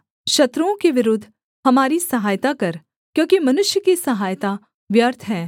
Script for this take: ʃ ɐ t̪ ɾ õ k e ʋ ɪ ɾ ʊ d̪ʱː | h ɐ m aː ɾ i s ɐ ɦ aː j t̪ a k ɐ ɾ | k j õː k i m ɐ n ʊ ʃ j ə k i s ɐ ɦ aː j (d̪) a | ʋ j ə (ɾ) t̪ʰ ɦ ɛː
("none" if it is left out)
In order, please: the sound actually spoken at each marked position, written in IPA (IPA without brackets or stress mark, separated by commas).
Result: t̪, ɾ